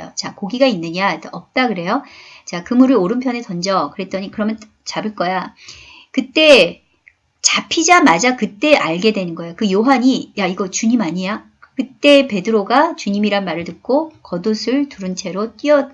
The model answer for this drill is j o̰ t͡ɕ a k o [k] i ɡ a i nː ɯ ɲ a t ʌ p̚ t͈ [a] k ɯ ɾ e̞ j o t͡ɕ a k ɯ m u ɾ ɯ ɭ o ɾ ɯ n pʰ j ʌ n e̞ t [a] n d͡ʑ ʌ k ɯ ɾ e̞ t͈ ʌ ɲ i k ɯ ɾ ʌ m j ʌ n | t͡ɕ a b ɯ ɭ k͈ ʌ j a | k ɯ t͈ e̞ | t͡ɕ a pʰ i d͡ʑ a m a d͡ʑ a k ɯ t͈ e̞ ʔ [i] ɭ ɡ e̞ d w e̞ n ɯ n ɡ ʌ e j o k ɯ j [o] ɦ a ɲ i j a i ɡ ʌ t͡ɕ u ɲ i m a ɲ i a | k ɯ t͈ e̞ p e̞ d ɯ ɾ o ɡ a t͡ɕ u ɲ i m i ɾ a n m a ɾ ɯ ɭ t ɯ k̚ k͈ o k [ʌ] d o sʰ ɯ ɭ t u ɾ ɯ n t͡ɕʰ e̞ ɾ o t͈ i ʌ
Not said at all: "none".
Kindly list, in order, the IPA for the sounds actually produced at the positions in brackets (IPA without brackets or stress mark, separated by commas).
ɡ, a, ʌ, a, o, ʌ